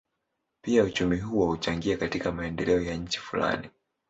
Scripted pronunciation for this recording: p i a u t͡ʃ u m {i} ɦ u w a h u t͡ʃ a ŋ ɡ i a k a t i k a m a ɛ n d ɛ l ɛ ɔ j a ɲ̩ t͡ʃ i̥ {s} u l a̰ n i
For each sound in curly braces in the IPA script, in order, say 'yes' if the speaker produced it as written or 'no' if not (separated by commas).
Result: yes, no